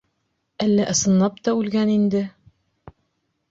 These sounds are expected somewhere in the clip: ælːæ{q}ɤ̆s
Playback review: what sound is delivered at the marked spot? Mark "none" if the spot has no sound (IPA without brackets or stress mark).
ʔ